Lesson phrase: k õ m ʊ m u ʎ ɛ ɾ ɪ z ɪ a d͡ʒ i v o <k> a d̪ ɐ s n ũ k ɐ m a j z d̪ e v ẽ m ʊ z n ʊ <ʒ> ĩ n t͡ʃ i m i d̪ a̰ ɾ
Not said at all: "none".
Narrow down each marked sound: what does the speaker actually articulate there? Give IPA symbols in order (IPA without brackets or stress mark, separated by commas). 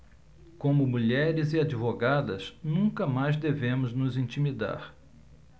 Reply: ɡ, z